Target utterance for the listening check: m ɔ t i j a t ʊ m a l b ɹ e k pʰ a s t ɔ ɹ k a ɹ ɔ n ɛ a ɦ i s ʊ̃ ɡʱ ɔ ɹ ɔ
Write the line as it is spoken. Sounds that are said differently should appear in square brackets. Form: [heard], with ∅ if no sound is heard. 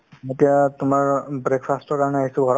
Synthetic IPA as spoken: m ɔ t i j a t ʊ m a [ɹ] b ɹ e k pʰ a s t ɔ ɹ k a ɹ ɔ n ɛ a ɦ i s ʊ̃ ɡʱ ɔ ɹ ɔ